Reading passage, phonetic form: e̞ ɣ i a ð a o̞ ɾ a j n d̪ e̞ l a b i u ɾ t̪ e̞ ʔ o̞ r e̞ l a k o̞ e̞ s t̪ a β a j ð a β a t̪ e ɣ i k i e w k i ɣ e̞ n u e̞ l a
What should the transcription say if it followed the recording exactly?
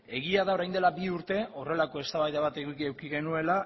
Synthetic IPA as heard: e̞ ɣ i a ð a o̞ ɾ a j n d̪ e̞ l a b i u ɾ t̪ e̞ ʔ o̞ r e̞ l a k o̞ e̞ s t̪ a β a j ð a β a t̪ e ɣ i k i e w k i ɣ e̞ n u e̞ l a